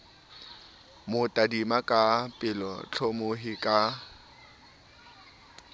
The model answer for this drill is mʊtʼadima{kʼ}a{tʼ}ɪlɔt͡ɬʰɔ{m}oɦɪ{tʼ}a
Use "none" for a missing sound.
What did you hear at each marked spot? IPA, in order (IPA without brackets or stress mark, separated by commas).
kʼ, pʼ, m, kʼ